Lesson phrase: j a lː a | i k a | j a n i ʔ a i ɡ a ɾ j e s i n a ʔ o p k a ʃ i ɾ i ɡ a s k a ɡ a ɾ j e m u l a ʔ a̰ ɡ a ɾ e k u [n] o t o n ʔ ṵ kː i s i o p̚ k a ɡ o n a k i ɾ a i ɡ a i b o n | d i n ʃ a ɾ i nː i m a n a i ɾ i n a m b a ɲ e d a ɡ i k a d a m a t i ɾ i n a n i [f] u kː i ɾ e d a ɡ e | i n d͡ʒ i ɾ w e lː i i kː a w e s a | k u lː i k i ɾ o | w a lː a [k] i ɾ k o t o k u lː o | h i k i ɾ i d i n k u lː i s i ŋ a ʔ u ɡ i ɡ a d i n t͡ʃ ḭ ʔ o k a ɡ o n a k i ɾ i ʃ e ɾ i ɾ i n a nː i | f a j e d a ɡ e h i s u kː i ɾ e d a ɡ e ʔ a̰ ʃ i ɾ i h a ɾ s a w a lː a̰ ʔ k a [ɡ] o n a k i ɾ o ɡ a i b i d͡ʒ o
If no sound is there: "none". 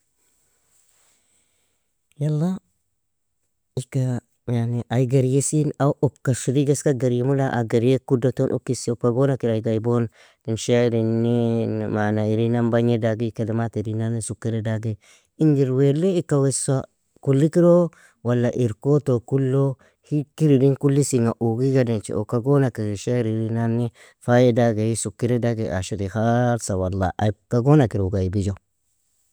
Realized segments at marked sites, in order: d, s, ʔ, ɡ

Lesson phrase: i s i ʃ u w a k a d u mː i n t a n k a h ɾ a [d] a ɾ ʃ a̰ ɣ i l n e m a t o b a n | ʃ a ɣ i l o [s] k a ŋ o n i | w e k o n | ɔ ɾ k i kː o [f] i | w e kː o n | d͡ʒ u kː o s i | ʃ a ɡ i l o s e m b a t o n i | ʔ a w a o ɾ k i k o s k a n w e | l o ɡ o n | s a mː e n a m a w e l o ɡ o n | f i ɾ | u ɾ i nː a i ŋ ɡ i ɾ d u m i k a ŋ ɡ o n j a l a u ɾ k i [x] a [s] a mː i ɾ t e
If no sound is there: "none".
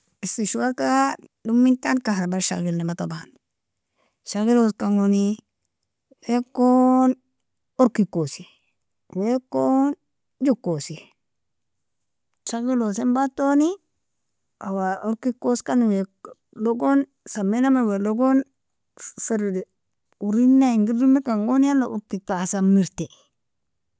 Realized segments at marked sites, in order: b, s, s, k, s

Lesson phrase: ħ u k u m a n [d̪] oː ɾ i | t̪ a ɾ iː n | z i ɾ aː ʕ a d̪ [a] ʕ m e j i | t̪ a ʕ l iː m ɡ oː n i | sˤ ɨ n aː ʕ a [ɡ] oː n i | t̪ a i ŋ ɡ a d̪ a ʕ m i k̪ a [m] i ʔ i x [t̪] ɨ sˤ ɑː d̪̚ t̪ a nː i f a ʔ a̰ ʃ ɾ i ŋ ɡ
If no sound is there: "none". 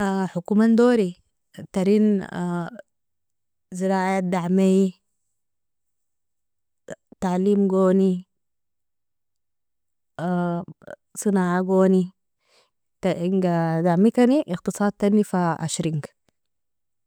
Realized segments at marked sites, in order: d̪, a, ɡ, n, t̪

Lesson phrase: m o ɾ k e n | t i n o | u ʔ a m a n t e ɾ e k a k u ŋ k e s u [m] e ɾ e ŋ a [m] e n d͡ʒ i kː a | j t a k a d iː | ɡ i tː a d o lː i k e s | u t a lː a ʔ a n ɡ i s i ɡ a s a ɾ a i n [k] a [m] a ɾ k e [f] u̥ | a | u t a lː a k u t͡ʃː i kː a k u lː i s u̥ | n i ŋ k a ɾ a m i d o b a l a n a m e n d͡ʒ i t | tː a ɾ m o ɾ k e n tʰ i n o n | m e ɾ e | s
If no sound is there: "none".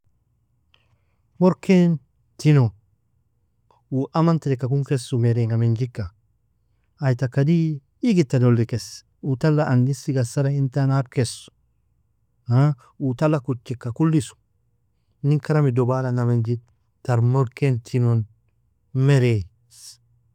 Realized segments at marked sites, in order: m, m, t, n, s

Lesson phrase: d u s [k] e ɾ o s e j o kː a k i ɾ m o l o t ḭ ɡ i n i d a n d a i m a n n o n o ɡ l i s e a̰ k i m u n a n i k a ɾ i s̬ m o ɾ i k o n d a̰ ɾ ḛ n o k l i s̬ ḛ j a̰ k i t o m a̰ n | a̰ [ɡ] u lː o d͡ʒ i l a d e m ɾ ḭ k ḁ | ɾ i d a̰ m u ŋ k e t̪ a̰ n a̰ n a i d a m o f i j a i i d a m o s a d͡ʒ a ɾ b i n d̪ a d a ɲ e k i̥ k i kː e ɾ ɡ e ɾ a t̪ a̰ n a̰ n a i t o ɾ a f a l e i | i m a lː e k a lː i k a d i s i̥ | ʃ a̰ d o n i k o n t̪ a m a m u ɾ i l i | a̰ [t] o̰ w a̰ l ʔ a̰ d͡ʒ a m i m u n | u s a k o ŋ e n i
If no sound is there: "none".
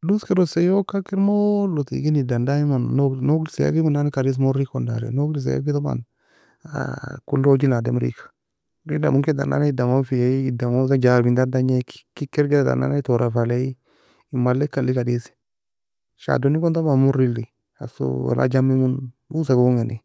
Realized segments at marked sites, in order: k, k, s

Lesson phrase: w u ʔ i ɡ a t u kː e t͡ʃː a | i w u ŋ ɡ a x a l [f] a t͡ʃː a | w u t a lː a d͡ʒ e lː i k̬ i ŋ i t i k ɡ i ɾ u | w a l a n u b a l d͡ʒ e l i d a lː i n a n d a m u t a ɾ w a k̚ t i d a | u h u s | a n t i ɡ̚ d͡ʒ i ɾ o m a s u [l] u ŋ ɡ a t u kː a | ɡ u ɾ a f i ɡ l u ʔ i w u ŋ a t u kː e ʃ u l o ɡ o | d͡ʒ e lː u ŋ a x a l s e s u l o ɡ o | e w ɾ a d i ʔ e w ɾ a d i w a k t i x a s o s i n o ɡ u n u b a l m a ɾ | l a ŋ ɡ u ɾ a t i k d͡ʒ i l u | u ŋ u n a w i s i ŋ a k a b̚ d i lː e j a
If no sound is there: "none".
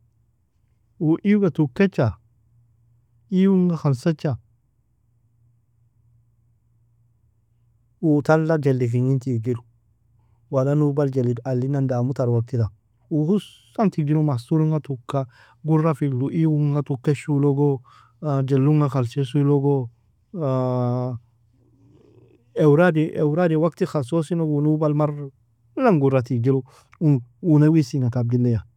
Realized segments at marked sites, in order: s, ɾ

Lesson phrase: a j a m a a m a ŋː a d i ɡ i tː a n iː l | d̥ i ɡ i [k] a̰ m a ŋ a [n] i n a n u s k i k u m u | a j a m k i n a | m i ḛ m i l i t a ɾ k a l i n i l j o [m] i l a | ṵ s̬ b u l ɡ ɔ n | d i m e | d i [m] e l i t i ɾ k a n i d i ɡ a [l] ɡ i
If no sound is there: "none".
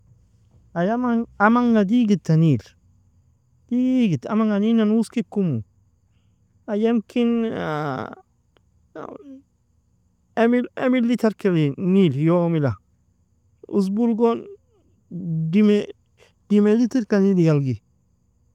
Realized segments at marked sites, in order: t, n, m, m, l

